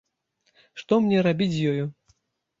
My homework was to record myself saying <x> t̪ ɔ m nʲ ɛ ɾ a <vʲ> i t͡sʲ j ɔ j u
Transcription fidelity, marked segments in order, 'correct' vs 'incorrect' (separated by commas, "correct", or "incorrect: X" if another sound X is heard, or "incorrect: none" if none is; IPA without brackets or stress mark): incorrect: ʂ, incorrect: bʲ